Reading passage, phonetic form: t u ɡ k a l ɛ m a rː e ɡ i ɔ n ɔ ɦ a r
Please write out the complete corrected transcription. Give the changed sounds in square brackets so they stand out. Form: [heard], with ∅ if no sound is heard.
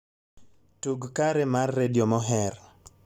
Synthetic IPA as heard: t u ɡ k a [ɾ] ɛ m a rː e [d] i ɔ [m] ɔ ɦ [ɛ] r